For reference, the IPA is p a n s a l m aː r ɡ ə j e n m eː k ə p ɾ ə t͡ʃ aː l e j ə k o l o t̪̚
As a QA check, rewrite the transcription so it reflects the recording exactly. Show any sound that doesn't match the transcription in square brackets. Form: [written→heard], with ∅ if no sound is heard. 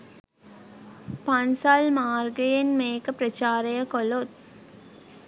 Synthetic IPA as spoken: p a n s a l m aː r ɡ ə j e n m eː k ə p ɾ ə t͡ʃ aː [l→ɾ] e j ə k o l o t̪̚